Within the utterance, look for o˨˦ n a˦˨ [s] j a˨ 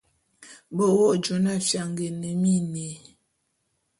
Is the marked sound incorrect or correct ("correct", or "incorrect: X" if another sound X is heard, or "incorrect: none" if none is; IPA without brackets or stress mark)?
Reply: incorrect: f